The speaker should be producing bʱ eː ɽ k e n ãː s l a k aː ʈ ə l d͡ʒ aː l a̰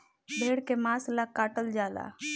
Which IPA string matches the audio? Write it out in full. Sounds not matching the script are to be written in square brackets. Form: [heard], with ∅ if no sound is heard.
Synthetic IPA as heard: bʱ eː ɽ k e [m] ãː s l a k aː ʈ ə l d͡ʒ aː l a̰

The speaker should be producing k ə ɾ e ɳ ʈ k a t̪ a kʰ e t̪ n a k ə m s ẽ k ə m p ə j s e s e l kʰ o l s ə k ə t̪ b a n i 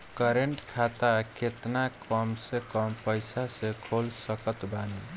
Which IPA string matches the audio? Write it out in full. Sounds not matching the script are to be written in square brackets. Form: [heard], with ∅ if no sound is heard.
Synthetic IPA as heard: k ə ɾ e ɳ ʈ [kʰ] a t̪ a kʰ e t̪ n a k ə m s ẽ k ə m p ə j s [a] s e [∅] kʰ o l s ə k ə t̪ b a n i

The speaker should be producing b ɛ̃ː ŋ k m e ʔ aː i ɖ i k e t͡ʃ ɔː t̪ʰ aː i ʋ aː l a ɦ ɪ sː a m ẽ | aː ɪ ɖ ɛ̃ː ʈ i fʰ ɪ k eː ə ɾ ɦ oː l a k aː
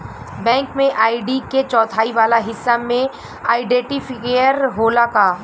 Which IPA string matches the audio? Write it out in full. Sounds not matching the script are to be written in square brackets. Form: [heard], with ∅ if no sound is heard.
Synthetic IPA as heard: b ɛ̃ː ŋ k m [ẽ] ʔ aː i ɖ i k e t͡ʃ ɔː t̪ʰ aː i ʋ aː l a ɦ ɪ sː a m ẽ | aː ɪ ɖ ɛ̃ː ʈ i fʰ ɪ k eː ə ɾ ɦ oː l a k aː

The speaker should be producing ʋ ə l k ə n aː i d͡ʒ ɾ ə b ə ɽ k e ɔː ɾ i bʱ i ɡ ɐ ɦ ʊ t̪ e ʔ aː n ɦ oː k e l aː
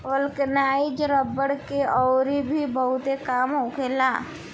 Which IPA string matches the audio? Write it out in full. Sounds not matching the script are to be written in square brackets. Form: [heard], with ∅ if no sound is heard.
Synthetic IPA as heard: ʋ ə l k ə n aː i d͡ʒ ɾ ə b ə ɽ k e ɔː ɾ i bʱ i [b] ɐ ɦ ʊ t̪ e [k] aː [m] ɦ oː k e l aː

